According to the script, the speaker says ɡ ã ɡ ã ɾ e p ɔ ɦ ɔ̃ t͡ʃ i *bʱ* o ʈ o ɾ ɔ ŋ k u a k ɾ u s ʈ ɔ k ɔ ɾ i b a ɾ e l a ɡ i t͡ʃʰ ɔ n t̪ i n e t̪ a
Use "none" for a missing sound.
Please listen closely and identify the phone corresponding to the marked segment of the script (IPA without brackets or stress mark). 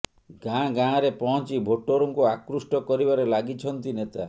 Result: bʱ